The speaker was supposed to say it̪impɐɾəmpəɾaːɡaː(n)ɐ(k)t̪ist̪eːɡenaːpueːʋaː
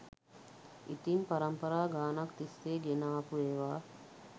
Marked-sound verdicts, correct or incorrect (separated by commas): correct, correct